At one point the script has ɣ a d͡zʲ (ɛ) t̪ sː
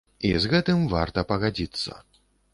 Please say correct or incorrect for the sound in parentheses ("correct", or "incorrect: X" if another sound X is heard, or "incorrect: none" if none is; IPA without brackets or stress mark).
incorrect: i